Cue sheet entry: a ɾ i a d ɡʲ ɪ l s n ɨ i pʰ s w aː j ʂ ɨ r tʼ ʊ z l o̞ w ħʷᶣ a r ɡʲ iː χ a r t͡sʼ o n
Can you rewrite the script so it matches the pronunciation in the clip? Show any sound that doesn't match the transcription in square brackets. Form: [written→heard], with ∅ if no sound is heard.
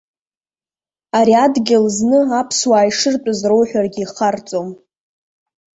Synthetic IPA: a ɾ i a d ɡʲ ɪ l [s→z] n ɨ [i→a] pʰ s w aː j ʂ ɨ r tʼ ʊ z [l→r] o̞ w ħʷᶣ a r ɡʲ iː χ a r t͡sʼ o [n→m]

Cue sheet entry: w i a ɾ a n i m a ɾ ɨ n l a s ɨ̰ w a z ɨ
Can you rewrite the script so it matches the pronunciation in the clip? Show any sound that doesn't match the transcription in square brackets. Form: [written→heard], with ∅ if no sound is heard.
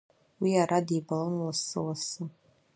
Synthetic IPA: w i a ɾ a [n→d] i [m→b] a [ɾ→l] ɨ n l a s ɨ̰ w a [z→s] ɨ

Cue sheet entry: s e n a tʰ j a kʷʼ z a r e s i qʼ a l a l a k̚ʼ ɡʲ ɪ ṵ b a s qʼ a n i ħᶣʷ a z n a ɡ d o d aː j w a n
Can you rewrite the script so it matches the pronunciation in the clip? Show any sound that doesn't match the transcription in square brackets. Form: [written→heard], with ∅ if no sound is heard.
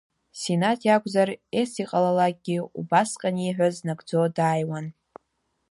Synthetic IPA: s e n a tʰ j a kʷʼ z a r e s i qʼ a l a l a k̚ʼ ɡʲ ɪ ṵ b a s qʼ a n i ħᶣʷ a z n a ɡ [d→d͡z] o d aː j w a n

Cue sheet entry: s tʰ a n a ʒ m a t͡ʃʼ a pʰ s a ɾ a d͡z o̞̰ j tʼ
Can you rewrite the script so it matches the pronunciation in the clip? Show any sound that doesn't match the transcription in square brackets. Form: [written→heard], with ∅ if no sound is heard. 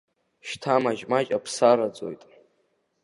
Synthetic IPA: [s→ʃ] tʰ a [n→m] a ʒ m a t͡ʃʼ a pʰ s a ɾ a d͡z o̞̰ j tʼ

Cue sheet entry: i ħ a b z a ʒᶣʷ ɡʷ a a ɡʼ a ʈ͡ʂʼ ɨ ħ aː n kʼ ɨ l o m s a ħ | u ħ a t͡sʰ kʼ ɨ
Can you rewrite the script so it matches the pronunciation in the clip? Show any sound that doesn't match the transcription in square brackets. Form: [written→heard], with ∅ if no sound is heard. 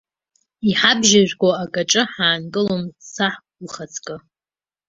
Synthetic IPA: i ħ a b [z→ʒ] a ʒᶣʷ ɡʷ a a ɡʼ a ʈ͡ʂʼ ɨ ħ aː n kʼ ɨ l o m s a ħ | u [ħ→χ] a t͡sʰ kʼ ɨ

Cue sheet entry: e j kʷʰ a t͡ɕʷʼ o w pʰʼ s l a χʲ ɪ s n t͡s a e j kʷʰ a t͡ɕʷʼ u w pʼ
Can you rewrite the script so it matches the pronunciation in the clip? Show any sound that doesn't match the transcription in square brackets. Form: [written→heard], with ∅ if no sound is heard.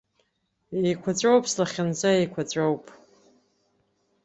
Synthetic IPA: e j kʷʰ a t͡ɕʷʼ o w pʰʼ s l a χʲ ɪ [s→∅] n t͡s a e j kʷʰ a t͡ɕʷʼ [u→o] w pʼ

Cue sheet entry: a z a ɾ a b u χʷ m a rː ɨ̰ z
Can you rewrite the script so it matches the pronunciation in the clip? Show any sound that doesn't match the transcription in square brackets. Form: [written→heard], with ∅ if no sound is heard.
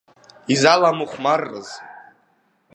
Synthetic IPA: [a→i] z a [ɾ→l] a [b→m] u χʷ m a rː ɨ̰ z

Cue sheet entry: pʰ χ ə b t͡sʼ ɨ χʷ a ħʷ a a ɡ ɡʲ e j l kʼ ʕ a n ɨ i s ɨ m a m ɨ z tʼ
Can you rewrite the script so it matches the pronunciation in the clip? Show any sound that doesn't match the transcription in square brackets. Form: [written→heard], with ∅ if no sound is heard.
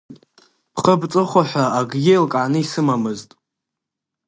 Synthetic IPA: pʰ χ ə b t͡sʼ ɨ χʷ a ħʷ a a ɡ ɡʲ e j l kʼ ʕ a n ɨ i s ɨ m a m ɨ z tʼ

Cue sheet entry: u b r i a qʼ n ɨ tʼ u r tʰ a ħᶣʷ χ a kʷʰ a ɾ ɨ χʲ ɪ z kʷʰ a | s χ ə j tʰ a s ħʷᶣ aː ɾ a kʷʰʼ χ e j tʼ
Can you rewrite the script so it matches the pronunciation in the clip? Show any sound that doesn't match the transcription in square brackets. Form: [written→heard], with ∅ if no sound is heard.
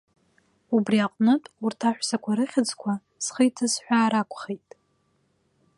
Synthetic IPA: u b r i a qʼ n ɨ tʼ u r tʰ a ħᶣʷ [χ→s] a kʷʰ a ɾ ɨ χʲ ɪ [z→d͡z] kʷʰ a | s χ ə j tʰ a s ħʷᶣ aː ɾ a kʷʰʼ χ e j tʼ

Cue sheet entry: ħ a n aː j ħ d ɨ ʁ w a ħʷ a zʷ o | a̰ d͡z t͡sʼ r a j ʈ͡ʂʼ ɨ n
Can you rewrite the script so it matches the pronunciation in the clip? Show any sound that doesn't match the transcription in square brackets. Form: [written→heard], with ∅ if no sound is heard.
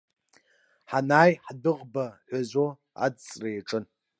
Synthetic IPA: ħ a n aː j ħ d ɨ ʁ [w→b] a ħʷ a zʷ o | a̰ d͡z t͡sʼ r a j ʈ͡ʂʼ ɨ n

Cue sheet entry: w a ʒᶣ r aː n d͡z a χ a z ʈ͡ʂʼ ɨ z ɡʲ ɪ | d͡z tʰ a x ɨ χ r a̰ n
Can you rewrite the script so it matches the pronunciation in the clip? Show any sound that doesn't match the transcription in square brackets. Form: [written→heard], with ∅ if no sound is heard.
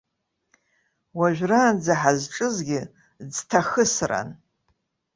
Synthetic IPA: w a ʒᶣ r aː n d͡z a [χ→ħ] a z ʈ͡ʂʼ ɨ z ɡʲ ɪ | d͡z tʰ a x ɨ [χ→s] r a̰ n

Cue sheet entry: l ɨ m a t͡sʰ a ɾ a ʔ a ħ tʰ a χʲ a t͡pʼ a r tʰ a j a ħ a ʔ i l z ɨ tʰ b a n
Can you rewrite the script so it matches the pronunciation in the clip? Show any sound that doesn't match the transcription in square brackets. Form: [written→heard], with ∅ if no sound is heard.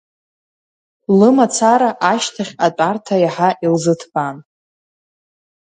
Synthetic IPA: l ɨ m a t͡sʰ a ɾ a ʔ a [ħ→ʃ] tʰ a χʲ a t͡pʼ a r tʰ a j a ħ a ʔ i l z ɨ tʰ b a n

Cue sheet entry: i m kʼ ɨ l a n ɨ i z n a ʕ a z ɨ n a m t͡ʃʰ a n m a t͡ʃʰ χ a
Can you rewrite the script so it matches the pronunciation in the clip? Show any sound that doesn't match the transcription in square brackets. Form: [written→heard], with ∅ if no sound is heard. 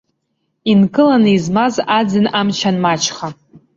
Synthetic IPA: i [m→n] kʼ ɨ l a n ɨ i z [n→m] a [ʕ→z] a [z→d͡z] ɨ n a m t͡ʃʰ a n m a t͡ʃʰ χ a

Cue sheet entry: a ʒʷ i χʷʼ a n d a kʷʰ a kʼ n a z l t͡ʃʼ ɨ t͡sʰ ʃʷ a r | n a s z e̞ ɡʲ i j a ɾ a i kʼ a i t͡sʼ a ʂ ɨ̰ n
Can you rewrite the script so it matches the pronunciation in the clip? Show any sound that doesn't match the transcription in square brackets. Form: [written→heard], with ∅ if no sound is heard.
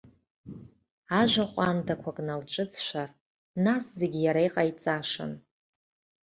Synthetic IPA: a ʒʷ [i→a] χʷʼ a n d a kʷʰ a kʼ n a [z→∅] l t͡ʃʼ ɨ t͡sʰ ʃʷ a r | n a s z e̞ ɡʲ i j a ɾ a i [kʼ→qʼ] a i t͡sʼ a ʂ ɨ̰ n

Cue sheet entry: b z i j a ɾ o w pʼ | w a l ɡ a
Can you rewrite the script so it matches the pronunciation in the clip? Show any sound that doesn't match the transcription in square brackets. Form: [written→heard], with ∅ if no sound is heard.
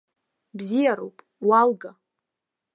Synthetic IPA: b z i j a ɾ o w pʼ | w a l ɡ a

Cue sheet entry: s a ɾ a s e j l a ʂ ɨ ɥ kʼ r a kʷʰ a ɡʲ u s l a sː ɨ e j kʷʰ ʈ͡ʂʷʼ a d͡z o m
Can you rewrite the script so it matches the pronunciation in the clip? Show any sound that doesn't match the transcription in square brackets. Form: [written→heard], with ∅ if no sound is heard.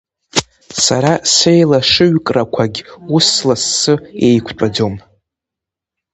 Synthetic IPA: s a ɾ a s e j l a ʂ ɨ ɥ kʼ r a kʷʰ a ɡʲ u s l a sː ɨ e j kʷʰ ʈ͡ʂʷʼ a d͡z o m

